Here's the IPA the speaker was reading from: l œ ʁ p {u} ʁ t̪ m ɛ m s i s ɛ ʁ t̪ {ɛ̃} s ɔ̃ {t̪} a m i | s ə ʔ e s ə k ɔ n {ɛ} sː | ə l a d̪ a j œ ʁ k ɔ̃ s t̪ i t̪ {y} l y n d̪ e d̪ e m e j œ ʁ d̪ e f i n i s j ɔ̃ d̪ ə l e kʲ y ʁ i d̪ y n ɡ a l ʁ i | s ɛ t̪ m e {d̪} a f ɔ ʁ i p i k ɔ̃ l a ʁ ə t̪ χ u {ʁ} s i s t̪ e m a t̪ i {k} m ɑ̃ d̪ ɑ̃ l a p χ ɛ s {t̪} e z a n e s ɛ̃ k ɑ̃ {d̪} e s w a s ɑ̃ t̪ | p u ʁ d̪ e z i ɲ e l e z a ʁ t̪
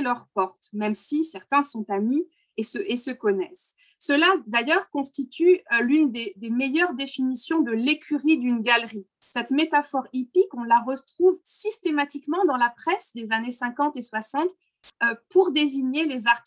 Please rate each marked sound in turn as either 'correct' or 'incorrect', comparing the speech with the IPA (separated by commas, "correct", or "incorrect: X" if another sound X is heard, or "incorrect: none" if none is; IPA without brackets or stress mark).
incorrect: ɔ, correct, correct, correct, correct, incorrect: t̪, incorrect: v, correct, incorrect: d̪, incorrect: t̪